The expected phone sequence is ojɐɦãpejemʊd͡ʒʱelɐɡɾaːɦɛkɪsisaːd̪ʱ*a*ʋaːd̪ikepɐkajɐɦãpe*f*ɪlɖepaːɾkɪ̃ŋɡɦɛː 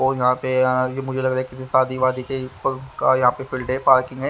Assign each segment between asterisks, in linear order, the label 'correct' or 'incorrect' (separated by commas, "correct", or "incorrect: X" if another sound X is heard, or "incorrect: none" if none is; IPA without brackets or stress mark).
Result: incorrect: i, correct